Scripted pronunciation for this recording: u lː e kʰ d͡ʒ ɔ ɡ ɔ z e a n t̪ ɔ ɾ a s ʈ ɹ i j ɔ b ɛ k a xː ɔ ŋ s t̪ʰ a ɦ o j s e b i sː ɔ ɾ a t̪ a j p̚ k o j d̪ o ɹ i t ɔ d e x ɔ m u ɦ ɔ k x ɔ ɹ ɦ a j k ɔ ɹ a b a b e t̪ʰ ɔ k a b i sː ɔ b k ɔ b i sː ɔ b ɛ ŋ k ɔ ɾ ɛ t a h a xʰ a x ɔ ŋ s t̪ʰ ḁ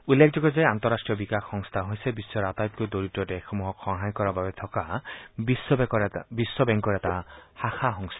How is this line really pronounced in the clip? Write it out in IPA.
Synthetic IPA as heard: u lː e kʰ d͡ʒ ɔ ɡ ɔ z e a n t̪ ɔ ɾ a s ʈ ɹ i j ɔ b i k a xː ɔ ŋ s t̪ʰ a ɦ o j s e b i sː ɔ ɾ a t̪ a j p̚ k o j d̪ o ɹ i t ɔ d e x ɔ m u ɦ ɔ k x ɔ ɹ ɦ a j k ɔ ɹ a b a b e t̪ʰ ɔ k a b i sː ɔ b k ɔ b i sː ɔ b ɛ ŋ k ɔ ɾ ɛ t a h a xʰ a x ɔ ŋ s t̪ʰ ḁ